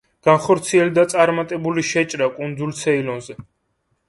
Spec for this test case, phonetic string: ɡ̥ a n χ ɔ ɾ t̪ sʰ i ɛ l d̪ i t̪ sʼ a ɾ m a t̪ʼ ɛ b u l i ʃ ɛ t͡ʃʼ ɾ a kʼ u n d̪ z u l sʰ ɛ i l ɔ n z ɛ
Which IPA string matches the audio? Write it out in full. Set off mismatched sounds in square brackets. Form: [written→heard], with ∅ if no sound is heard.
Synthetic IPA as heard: ɡ̥ a n χ ɔ ɾ t̪ sʰ i ɛ l d̪ [i→a] t̪ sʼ a ɾ m a t̪ʼ ɛ b u l i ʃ ɛ t͡ʃʼ ɾ a kʼ u n d̪ z u l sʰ ɛ i l ɔ n z ɛ